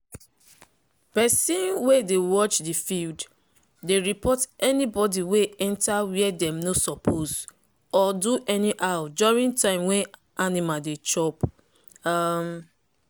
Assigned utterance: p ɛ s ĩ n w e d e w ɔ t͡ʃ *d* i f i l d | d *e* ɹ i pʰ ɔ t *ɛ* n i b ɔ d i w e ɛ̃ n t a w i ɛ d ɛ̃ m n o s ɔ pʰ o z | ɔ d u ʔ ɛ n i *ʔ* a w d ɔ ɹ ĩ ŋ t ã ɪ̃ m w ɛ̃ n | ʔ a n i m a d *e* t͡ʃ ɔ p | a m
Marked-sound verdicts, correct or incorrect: correct, correct, correct, correct, correct

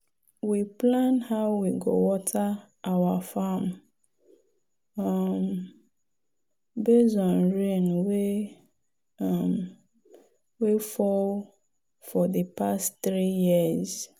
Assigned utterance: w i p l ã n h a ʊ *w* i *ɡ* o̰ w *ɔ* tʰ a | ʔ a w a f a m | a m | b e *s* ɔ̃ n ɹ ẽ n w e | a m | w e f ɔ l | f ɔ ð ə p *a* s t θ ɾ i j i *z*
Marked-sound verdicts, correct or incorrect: correct, correct, correct, incorrect, correct, correct

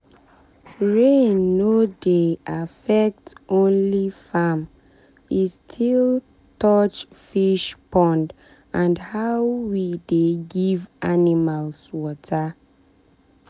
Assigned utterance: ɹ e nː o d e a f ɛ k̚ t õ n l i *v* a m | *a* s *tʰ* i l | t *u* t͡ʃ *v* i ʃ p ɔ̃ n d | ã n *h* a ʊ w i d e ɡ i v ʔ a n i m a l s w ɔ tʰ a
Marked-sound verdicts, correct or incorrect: incorrect, incorrect, correct, incorrect, incorrect, correct

